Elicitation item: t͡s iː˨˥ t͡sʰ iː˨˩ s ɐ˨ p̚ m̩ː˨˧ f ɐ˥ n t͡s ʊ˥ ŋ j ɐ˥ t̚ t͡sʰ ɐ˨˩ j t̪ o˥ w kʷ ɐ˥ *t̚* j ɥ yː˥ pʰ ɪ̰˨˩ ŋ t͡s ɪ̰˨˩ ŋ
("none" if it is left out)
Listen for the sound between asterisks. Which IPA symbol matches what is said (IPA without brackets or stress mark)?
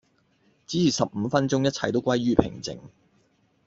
none